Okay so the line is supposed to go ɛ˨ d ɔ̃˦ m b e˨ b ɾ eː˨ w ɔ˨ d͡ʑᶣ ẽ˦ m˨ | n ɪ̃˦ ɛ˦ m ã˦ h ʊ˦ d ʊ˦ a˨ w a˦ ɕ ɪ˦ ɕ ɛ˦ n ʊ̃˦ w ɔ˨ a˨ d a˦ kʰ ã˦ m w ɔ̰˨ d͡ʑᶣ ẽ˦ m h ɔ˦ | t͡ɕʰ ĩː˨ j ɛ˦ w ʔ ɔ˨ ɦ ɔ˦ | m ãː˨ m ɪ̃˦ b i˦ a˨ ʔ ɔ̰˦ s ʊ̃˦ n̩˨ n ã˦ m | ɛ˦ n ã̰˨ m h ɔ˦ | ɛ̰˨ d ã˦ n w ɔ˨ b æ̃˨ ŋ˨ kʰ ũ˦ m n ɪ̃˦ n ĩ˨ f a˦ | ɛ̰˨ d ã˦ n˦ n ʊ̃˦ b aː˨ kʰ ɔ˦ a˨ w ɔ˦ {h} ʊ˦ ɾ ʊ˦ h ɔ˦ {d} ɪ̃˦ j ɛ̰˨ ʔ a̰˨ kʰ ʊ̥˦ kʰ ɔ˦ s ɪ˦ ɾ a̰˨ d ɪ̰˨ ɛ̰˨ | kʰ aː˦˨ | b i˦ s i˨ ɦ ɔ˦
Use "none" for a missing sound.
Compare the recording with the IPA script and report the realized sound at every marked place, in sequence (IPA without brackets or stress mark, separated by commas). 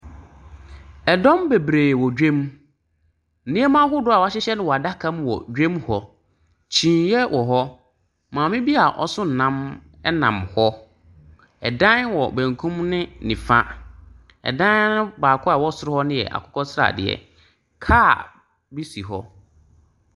s, n